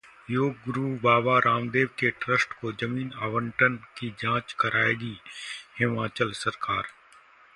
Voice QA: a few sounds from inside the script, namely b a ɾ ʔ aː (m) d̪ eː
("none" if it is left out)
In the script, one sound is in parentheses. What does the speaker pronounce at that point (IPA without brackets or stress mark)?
m